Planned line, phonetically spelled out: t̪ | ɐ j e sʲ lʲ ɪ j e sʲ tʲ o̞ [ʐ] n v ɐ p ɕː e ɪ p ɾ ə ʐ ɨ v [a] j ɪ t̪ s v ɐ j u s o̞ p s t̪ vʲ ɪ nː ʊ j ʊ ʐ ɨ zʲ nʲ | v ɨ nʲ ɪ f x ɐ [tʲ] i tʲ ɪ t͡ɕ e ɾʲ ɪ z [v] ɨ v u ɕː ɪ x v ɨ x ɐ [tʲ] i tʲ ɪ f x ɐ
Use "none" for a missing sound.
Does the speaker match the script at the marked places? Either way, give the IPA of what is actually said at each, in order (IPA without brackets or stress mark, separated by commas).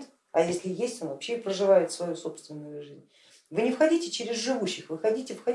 none, a, dʲ, ʐ, dʲ